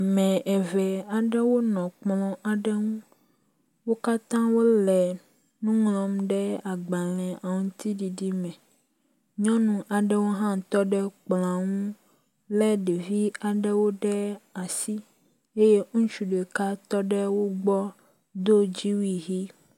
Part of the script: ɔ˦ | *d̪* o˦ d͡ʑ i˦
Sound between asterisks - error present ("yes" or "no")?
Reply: no